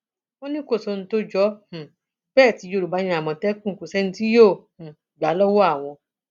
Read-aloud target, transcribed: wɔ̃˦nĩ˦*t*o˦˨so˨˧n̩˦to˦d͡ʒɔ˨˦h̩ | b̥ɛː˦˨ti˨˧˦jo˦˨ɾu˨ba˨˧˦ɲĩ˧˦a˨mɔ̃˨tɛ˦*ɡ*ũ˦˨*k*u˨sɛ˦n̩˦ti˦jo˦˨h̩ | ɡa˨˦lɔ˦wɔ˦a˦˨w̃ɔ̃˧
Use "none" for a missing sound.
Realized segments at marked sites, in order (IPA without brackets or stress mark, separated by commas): k, k, k